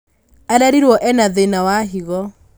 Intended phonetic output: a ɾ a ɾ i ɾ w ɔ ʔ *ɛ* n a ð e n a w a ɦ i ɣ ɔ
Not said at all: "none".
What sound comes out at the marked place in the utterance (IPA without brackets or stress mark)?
ɛ